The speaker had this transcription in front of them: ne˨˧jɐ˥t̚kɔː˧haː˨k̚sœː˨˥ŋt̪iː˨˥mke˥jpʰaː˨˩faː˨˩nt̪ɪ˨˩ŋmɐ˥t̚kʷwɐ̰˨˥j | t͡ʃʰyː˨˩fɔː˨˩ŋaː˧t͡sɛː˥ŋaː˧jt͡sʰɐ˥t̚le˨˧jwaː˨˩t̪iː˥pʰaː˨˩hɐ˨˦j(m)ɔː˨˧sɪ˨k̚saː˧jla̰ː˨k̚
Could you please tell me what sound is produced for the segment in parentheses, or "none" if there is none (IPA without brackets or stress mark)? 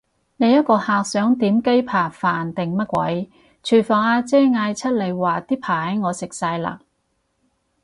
ŋ